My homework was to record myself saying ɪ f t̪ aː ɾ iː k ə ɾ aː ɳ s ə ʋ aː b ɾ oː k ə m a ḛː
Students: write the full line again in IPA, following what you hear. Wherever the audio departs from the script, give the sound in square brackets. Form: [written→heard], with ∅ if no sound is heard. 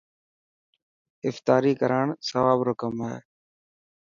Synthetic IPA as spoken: ɪ f t̪ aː ɾ iː k ə ɾ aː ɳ s ə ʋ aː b ɾ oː k ə m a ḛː